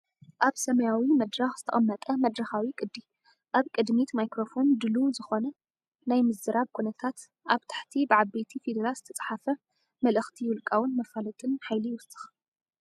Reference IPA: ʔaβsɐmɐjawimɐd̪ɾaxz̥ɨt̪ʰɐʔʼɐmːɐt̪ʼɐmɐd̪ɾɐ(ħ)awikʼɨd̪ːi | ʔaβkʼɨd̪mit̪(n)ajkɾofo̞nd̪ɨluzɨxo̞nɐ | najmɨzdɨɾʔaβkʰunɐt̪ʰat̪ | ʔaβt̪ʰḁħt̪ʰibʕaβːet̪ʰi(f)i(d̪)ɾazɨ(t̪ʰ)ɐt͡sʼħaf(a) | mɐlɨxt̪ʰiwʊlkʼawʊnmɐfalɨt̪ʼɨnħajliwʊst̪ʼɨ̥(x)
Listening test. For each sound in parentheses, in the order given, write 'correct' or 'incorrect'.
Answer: incorrect, incorrect, correct, correct, correct, incorrect, correct

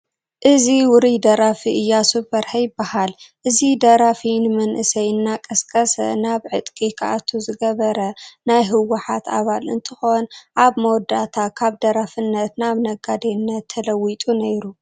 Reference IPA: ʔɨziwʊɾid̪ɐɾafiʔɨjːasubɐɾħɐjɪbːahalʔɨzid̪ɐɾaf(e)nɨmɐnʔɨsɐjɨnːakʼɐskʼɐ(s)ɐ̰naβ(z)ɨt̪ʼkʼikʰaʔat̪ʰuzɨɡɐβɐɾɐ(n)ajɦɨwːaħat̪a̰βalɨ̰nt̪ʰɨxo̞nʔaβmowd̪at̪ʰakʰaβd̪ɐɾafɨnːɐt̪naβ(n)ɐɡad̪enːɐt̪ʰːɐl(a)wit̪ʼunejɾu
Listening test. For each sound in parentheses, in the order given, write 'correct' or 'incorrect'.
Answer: incorrect, correct, incorrect, correct, correct, incorrect

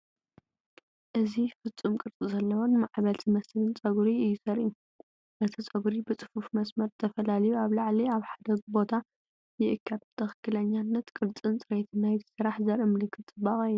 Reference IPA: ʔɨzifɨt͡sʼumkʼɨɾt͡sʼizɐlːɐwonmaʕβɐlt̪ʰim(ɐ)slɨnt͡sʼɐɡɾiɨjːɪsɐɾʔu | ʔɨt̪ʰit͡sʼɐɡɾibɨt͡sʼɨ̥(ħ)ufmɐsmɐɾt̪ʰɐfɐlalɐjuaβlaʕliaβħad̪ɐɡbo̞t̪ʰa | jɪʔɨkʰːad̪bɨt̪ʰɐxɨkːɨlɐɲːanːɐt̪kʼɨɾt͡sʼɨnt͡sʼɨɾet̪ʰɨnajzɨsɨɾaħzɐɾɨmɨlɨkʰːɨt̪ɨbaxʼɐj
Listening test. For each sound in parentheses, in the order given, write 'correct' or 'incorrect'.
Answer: correct, incorrect

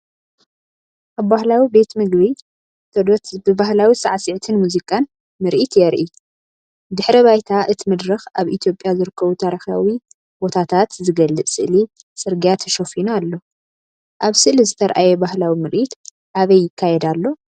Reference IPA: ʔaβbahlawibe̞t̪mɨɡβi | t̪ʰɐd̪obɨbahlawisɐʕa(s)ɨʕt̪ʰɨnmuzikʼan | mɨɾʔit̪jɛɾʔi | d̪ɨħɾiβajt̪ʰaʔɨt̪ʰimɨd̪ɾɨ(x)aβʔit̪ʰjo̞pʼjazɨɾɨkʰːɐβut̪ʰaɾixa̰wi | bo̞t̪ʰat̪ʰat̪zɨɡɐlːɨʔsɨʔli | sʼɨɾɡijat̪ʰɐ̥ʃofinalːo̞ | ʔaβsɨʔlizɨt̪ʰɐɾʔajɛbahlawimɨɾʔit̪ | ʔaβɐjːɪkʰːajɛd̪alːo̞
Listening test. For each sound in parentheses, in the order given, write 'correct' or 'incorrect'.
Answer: correct, correct

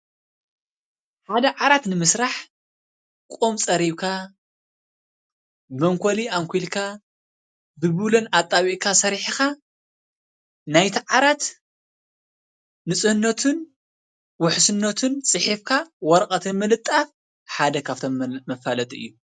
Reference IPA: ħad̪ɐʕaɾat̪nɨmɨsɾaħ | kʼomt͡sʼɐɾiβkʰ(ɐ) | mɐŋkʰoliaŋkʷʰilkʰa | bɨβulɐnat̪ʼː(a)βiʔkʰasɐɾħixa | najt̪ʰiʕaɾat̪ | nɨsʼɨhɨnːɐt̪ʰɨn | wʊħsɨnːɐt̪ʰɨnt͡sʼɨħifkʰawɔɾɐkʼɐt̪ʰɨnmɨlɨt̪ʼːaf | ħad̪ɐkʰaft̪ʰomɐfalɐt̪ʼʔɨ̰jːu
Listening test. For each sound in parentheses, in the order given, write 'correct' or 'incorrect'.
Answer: incorrect, correct

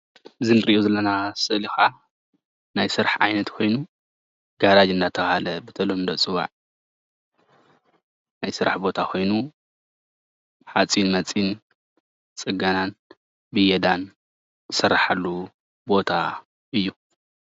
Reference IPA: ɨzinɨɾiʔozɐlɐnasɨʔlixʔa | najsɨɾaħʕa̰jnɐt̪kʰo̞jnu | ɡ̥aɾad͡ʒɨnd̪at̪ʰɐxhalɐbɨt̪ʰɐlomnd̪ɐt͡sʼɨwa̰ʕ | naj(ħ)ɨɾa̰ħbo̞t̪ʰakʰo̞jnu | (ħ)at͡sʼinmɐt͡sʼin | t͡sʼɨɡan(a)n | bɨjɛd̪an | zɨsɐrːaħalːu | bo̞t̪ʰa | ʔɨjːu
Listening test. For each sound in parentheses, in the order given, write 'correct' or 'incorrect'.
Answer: incorrect, correct, correct

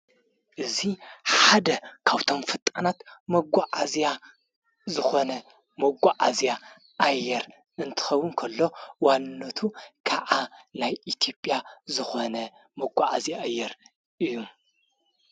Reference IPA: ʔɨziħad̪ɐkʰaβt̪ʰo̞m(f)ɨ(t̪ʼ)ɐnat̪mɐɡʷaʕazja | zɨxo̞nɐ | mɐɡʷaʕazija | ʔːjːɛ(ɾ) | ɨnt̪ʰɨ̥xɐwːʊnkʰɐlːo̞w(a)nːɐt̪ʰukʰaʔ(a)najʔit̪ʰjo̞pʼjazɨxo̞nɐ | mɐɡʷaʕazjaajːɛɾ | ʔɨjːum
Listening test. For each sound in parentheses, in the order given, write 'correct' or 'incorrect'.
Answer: correct, correct, correct, correct, correct

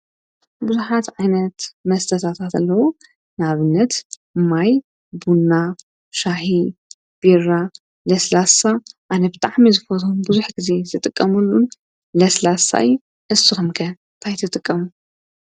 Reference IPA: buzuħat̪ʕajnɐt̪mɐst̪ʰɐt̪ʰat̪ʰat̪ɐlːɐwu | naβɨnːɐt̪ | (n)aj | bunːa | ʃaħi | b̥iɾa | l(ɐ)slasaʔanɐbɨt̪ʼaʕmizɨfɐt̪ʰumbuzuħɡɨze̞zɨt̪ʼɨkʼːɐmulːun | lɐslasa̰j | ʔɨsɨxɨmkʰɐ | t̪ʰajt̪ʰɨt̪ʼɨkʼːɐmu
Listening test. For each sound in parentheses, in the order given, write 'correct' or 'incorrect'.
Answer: incorrect, correct

